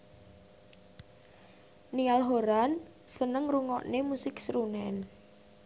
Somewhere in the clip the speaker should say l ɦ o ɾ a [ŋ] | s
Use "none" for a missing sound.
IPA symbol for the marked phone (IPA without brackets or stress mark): n